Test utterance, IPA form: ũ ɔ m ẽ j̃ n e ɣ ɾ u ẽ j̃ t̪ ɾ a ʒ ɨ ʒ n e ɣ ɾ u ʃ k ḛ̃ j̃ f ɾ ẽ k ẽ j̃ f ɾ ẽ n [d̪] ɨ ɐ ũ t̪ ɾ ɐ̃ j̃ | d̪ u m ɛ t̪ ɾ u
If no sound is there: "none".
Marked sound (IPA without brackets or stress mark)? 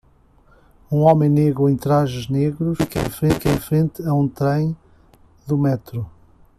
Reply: t̪